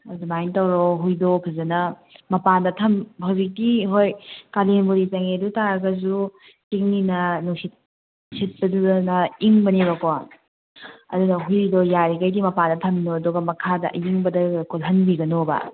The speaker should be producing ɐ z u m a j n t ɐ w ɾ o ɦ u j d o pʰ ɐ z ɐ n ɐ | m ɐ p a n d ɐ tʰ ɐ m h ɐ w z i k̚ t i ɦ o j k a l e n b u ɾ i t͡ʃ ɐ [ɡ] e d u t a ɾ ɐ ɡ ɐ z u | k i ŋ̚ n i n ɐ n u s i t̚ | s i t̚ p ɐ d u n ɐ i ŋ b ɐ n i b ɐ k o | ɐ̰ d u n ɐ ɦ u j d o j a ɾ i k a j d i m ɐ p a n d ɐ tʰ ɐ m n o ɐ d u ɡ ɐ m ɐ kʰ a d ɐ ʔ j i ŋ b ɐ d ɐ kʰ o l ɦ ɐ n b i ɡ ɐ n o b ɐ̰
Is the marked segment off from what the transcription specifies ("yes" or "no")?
yes